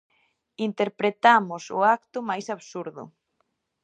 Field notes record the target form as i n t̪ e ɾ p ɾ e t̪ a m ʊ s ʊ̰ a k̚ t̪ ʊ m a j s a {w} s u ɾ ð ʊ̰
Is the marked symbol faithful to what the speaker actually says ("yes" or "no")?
no